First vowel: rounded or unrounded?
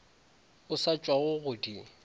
rounded